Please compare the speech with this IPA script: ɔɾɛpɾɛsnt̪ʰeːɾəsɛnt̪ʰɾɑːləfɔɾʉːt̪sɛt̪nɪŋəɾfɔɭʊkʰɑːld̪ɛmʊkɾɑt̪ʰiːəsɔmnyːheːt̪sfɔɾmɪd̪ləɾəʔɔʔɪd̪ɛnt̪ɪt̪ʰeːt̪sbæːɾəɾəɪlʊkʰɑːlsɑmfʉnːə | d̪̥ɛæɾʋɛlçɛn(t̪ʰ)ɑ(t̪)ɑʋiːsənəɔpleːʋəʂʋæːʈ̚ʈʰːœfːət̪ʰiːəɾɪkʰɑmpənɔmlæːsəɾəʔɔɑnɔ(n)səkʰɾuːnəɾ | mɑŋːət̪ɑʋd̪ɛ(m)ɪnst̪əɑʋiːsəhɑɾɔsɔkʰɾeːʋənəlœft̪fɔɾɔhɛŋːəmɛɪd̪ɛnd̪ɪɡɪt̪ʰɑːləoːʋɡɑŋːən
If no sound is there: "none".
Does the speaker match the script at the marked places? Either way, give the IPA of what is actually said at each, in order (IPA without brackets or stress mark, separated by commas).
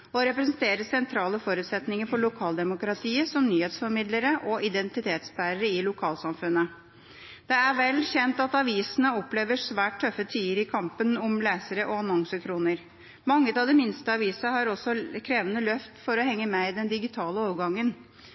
t̪, t̪, ŋ, m